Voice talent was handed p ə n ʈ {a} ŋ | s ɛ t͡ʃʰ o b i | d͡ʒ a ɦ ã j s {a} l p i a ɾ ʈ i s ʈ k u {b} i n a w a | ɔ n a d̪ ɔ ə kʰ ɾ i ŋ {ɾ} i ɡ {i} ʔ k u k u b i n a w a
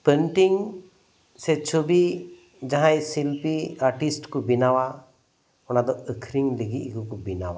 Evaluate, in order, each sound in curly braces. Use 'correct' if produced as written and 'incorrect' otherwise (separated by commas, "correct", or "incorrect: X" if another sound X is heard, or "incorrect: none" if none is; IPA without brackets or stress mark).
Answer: incorrect: i, incorrect: i, correct, incorrect: l, correct